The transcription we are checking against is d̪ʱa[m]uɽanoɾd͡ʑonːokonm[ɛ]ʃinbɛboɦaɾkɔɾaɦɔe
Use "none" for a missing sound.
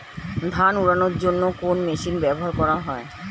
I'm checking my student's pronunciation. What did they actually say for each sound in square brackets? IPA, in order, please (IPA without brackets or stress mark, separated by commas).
n, e